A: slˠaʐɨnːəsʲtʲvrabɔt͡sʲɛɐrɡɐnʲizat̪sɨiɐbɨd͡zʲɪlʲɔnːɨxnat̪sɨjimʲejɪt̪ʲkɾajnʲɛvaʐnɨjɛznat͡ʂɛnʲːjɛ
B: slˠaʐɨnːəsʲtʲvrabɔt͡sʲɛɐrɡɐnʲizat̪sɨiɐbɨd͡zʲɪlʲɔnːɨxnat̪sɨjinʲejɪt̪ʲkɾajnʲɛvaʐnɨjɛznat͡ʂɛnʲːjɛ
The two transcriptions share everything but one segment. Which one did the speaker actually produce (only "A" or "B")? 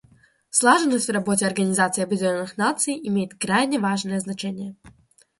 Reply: A